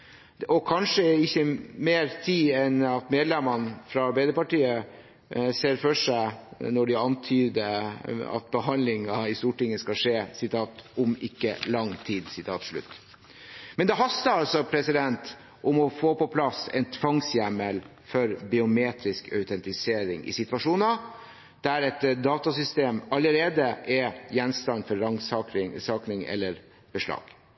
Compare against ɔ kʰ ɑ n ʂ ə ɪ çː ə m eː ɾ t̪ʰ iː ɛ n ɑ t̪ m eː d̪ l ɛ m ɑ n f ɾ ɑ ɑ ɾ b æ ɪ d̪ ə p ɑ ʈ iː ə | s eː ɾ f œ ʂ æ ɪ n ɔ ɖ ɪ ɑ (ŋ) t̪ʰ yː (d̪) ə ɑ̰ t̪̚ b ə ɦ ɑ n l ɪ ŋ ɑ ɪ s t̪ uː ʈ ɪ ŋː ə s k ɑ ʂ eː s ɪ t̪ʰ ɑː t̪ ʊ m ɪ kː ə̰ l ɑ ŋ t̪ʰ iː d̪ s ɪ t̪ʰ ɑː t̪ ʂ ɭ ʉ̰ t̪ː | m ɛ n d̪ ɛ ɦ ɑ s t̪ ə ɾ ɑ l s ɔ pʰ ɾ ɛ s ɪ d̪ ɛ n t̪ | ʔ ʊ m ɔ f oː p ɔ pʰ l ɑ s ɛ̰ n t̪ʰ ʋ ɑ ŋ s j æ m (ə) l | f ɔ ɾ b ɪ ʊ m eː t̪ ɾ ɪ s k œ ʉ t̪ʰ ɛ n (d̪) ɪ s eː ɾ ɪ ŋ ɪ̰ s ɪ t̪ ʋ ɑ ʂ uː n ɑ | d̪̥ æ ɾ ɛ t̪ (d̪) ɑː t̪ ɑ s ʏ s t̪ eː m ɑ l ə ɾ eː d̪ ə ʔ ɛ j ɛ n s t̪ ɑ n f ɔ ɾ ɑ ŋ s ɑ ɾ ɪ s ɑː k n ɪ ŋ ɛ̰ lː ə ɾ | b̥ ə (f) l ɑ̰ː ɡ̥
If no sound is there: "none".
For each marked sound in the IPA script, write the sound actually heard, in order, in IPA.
n, d̪, ə, t̪, d̪, ʂ

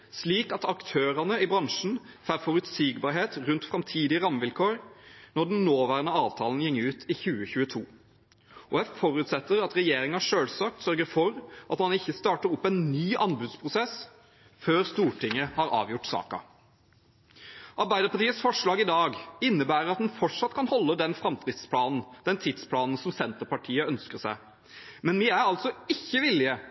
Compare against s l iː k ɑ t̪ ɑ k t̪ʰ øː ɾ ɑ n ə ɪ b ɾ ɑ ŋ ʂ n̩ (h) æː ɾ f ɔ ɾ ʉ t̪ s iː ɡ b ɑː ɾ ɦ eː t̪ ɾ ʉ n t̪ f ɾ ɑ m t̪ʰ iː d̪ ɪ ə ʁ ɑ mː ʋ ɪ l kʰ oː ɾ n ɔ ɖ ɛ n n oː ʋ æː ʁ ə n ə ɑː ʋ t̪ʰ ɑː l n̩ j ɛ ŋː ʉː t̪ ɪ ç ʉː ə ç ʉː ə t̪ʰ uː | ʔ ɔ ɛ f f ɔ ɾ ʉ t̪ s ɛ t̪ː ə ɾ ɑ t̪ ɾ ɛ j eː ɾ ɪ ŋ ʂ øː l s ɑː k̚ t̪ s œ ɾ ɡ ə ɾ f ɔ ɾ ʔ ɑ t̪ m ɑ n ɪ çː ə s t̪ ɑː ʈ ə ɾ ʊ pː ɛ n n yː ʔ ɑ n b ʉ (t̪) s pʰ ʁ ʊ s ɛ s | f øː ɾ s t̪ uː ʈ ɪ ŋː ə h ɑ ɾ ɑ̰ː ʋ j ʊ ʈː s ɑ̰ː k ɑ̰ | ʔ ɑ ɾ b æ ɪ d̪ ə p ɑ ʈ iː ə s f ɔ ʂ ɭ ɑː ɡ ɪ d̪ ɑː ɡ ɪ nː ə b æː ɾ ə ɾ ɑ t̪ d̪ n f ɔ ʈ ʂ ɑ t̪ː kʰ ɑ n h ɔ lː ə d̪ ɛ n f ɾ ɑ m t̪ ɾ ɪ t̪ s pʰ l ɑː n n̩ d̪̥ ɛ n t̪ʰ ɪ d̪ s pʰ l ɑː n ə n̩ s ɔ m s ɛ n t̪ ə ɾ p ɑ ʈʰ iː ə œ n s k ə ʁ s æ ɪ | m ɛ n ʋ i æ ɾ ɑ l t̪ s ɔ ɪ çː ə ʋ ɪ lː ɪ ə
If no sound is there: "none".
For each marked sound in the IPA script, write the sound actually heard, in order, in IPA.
f, d̪

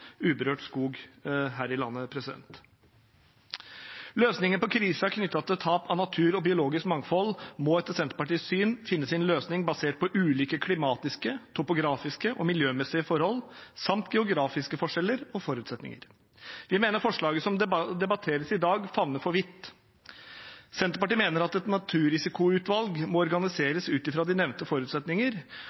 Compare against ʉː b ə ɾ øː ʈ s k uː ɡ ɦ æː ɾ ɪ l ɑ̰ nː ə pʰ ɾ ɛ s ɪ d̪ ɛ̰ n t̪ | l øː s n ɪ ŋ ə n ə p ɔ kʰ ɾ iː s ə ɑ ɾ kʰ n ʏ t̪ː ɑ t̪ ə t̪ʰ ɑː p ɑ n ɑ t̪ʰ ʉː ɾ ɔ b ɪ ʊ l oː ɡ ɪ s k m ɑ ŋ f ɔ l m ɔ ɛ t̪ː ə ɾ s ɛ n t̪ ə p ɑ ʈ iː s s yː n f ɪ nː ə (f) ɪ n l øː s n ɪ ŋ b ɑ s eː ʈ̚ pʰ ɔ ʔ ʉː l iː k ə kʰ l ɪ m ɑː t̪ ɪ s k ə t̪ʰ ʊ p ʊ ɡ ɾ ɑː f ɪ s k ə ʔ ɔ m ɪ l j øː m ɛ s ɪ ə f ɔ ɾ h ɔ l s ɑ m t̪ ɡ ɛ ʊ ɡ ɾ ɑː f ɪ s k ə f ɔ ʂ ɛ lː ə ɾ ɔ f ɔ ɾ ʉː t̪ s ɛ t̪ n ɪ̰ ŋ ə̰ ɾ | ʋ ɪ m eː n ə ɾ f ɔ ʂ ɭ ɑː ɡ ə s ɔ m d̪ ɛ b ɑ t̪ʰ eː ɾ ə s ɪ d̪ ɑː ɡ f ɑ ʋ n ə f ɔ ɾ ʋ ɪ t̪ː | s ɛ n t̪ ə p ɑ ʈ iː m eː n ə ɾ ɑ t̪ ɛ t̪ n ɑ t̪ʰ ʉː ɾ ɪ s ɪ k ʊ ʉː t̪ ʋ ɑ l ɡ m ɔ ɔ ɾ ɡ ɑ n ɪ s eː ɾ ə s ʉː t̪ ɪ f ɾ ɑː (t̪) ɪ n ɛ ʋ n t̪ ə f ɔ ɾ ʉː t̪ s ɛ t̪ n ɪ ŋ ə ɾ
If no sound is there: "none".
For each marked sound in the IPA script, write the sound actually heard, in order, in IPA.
s, d̪

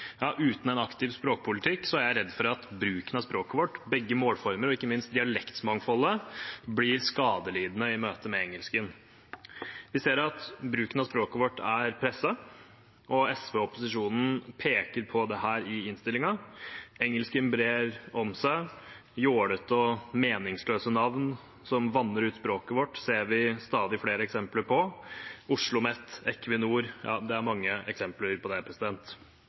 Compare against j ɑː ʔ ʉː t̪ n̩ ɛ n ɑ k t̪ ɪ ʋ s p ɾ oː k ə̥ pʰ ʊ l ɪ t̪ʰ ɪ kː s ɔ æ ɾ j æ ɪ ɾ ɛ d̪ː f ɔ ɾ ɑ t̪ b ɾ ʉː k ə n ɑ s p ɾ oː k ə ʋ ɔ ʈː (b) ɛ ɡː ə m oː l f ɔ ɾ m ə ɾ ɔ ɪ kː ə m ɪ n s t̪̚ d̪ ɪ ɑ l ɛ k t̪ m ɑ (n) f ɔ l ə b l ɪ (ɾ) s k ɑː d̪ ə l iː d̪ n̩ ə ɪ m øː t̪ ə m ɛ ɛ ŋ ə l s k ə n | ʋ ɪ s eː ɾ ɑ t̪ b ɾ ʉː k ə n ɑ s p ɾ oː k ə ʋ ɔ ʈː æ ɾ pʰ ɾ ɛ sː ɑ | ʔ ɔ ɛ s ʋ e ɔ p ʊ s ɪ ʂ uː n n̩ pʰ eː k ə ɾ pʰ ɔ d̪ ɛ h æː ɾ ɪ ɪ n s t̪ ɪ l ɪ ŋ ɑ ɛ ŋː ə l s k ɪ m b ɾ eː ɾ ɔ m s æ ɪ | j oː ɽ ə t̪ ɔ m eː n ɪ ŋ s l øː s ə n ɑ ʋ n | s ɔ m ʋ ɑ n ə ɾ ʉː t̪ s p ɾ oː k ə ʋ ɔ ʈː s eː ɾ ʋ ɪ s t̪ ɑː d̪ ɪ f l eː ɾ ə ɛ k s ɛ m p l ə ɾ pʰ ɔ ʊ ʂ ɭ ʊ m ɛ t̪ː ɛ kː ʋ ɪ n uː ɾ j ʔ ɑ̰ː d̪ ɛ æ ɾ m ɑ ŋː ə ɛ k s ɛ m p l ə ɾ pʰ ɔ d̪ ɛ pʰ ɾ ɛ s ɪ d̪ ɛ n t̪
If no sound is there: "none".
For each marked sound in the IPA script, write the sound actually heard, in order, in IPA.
b, ŋ, ɾ

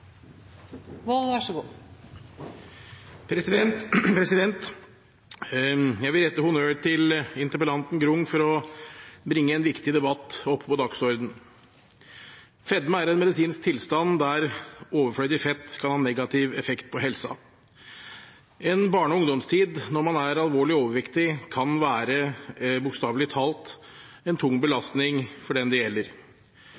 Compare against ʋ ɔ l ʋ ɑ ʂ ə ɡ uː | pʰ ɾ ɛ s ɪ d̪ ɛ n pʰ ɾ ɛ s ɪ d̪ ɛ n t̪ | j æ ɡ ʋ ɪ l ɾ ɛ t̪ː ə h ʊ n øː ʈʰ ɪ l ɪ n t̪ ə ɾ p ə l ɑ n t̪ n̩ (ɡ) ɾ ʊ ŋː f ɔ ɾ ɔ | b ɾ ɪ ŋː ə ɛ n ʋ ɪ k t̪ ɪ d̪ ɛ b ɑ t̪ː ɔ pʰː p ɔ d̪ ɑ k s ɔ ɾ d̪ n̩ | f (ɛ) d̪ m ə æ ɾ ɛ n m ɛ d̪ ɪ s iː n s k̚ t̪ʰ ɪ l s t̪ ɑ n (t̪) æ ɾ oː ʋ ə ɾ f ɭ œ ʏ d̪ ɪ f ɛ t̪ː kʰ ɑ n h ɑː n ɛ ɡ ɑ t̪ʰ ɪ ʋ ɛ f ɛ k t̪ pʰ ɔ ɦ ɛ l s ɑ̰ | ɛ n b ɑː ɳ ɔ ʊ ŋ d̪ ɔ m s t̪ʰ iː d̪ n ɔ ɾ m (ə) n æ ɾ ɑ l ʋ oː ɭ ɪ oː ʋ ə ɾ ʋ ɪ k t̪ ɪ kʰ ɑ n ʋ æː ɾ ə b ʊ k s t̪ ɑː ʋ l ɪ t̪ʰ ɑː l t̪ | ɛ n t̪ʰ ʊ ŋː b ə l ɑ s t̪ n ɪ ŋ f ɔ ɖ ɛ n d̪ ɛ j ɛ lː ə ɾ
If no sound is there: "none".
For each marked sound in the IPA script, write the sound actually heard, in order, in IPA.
ɡ, ɛ, d̪, ɑ

